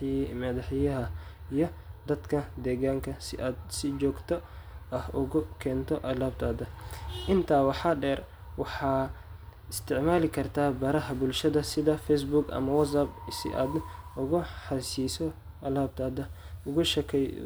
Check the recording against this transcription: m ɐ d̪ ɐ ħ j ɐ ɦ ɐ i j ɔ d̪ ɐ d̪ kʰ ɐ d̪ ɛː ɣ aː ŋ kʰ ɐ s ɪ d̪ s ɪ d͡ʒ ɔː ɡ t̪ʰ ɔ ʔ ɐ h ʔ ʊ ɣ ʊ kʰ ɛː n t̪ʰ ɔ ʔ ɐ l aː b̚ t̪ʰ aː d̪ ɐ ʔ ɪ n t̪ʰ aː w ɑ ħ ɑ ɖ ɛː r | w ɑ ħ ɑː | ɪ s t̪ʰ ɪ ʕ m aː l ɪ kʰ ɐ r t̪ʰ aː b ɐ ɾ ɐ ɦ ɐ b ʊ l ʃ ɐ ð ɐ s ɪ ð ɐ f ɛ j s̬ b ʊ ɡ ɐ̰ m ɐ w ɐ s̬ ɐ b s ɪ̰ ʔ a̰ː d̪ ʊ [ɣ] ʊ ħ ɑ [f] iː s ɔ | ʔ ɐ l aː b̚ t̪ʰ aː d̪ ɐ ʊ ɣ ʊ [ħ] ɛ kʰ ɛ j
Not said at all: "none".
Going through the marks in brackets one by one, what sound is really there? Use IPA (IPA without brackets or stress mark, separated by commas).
ɣ, s, ʃ